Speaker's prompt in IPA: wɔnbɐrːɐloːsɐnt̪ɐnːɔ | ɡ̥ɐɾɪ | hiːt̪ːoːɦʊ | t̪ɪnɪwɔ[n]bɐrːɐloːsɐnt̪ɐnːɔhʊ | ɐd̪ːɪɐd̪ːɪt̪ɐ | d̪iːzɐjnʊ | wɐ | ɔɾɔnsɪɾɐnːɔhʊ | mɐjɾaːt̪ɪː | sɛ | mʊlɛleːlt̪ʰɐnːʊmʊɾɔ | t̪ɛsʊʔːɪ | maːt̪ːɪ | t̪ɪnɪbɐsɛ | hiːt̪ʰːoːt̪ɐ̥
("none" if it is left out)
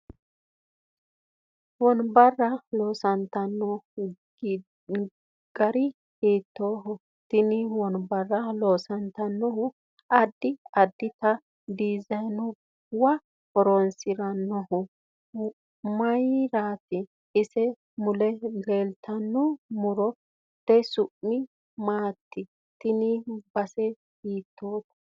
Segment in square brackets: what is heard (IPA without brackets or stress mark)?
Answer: n